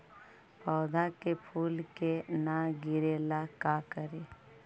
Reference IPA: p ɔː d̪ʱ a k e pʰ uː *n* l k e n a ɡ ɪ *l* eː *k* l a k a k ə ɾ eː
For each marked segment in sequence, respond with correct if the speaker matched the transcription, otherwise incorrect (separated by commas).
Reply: incorrect, incorrect, incorrect